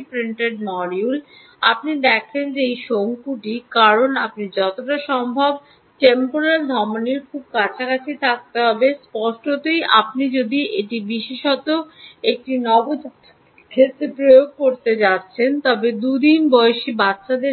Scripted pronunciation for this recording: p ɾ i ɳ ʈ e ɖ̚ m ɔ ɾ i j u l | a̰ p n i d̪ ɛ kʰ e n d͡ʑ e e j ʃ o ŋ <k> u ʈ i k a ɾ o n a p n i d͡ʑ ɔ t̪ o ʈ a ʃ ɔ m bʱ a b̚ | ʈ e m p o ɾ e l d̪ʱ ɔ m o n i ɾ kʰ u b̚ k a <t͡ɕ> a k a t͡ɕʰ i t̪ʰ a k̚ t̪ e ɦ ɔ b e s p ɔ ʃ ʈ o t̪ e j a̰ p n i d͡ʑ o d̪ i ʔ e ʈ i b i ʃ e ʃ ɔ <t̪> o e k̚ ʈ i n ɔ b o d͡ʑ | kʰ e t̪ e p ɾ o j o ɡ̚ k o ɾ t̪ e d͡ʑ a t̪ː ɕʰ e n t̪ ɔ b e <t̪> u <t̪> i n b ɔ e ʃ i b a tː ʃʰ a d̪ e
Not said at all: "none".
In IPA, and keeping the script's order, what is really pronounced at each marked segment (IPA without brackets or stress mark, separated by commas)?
k, t͡ɕʰ, t̪, d̪, d̪